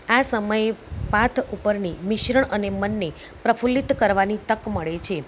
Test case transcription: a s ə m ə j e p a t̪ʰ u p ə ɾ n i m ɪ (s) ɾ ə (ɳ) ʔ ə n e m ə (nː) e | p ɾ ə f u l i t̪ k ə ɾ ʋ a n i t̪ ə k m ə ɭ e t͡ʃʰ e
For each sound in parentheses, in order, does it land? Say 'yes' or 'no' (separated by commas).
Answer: no, yes, yes